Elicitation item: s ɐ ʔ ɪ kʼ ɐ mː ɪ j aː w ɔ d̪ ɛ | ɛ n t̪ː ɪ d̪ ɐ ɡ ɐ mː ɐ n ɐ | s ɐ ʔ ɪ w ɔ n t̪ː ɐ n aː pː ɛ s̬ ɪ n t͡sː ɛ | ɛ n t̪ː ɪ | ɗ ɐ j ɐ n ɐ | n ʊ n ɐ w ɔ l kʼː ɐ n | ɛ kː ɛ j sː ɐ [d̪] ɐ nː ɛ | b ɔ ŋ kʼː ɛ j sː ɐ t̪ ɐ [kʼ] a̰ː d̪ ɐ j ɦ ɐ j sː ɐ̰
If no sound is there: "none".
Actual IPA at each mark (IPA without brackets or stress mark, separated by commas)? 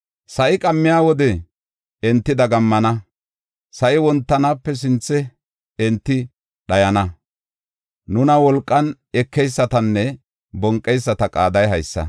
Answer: t̪, kʼ